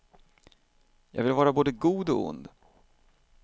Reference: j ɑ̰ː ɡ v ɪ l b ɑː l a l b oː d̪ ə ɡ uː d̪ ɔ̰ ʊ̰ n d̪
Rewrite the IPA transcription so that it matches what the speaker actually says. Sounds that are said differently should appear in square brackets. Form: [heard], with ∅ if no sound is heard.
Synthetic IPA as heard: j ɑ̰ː ɡ v ɪ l [v] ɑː [ɾ] a [∅] b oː d̪ ə ɡ uː d̪ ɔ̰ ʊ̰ n d̪